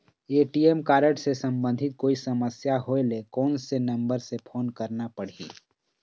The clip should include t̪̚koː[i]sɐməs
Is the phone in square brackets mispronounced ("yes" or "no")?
no